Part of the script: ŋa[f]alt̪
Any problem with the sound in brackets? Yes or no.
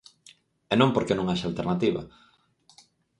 yes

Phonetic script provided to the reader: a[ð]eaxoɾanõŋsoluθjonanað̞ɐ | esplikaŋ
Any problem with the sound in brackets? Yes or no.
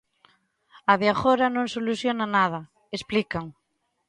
no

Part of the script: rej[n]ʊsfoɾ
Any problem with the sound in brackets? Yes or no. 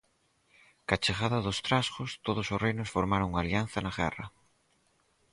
no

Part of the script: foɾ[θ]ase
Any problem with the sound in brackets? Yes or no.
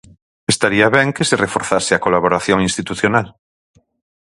no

